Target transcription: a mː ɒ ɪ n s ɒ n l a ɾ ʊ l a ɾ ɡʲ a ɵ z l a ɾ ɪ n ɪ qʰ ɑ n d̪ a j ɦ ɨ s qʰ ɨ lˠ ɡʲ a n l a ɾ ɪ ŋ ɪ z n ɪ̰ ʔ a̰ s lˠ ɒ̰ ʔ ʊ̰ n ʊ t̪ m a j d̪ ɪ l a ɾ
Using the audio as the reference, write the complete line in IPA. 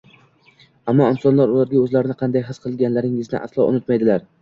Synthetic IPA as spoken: a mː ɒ ɪ n s ɒ n l a ɾ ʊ l a ɾ ɡʲ a ɵ z l a ɾ ɪ n ɪ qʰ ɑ n d̪ a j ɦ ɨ s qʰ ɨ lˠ ɡʲ a n l a ɾ ɪ ŋ ɪ z n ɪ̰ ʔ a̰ s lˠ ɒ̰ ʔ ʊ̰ n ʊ t̪ m a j d̪ ɪ l a ɾ